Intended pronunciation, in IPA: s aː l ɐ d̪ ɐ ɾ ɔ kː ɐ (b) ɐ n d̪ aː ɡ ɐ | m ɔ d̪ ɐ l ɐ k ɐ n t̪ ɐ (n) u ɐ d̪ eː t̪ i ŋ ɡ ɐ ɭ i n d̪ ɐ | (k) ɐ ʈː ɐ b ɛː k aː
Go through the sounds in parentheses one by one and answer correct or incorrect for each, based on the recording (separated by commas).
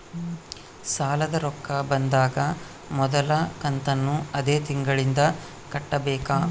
correct, incorrect, correct